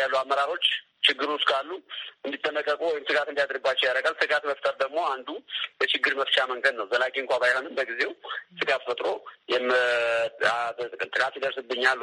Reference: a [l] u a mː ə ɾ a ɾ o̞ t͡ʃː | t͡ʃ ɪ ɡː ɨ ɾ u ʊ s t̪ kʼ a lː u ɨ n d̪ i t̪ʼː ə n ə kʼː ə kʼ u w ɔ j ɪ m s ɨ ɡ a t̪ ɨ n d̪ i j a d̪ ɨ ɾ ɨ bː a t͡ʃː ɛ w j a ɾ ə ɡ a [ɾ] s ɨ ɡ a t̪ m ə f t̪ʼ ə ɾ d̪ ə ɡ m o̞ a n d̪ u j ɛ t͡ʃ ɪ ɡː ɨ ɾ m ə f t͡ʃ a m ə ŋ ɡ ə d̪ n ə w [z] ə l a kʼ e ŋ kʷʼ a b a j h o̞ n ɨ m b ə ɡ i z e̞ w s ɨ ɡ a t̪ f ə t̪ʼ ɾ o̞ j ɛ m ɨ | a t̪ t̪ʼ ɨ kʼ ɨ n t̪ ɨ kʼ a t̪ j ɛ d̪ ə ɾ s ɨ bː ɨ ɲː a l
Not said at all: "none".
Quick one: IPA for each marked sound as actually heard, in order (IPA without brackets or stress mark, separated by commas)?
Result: lː, l, z